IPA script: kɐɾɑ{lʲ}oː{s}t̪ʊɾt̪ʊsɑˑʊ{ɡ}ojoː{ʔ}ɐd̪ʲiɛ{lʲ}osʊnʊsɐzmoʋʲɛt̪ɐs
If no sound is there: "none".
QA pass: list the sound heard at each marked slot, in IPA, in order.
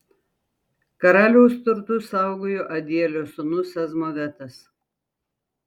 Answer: lʲ, s, ɡ, ʔ, lʲ

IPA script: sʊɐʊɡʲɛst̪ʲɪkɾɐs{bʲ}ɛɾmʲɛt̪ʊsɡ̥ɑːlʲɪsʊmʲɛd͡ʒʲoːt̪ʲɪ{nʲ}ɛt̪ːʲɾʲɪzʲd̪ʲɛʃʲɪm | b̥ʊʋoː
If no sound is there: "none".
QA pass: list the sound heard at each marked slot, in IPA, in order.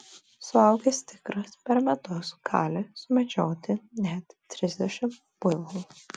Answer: pʲ, nʲ

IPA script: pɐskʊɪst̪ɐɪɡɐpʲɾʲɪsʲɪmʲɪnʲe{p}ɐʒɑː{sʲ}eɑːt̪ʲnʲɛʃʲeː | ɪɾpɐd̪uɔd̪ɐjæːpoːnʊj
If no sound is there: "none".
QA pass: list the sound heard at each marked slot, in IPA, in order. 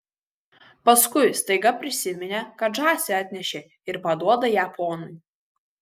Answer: k, sʲ

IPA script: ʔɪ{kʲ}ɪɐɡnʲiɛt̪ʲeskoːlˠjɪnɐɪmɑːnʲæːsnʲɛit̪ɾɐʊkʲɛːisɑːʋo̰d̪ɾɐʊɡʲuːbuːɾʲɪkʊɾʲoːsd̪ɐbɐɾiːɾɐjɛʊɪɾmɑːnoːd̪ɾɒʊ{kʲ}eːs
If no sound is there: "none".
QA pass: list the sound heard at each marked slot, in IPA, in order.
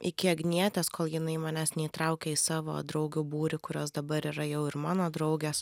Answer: kʲ, ɡʲ

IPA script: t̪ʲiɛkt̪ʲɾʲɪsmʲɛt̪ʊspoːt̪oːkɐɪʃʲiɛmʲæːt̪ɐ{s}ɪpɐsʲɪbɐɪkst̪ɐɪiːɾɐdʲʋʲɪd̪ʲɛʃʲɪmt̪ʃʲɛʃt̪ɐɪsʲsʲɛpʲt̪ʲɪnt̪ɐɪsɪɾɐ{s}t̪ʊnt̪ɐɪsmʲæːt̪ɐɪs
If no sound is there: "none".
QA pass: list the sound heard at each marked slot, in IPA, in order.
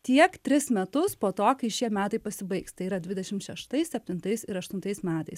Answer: none, ʃ

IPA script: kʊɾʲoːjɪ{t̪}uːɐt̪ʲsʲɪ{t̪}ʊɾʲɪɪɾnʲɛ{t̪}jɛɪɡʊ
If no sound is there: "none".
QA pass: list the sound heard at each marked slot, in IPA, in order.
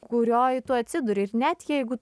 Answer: t̪, d̪, t̪

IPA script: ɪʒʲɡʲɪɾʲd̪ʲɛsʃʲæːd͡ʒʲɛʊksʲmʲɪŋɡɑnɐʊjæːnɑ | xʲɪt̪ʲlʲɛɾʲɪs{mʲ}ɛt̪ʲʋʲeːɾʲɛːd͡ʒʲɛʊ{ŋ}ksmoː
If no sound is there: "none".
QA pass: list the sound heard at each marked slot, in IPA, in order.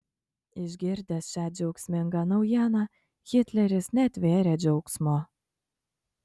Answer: nʲ, none

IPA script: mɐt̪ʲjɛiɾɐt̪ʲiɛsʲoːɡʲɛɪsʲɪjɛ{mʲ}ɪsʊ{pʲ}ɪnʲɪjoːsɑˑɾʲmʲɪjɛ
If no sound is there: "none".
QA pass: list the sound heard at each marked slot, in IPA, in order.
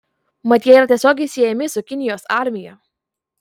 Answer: mʲ, kʲ

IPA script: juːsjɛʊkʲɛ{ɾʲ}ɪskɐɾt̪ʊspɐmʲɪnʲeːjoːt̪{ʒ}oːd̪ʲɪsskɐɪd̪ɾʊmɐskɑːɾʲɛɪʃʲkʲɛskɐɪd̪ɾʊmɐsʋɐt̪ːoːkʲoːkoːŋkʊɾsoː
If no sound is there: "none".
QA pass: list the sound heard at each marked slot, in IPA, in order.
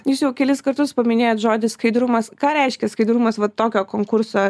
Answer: lʲ, ʒ

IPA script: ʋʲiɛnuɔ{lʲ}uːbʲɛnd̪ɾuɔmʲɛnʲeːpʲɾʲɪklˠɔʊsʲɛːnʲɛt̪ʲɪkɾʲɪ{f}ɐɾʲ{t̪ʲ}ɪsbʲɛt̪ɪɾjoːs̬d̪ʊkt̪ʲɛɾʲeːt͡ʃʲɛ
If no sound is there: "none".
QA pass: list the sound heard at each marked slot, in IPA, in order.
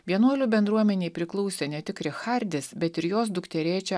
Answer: lʲ, x, d̪ʲ

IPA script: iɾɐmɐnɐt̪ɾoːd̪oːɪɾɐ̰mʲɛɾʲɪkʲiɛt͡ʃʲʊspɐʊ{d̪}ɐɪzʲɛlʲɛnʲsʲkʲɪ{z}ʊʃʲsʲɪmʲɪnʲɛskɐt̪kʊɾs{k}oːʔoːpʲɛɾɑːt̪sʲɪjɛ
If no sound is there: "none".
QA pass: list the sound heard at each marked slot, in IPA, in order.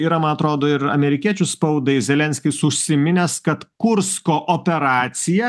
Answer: d̪, s, k

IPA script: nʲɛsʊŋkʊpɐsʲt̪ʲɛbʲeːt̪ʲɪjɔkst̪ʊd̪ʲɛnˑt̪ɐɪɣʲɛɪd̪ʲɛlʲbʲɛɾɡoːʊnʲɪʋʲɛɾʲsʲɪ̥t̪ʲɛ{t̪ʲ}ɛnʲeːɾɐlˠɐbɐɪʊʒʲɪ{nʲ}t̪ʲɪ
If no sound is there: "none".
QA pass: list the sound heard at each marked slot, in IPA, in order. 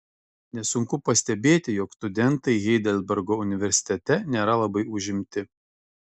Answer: t̪ʲ, mʲ

